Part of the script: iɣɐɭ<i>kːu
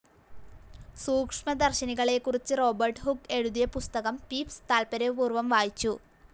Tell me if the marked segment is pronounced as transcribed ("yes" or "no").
no